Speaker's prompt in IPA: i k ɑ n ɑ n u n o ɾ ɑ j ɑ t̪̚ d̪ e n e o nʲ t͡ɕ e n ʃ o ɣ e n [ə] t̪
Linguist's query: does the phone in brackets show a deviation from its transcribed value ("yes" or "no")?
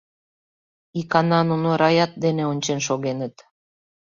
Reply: no